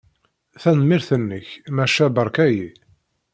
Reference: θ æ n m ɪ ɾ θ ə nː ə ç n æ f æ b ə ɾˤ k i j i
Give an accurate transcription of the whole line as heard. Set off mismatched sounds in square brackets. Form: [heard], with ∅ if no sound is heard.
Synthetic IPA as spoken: θ æ n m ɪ ɾ θ ə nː ə ç [m] æ [ʃ] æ b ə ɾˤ k [æ] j i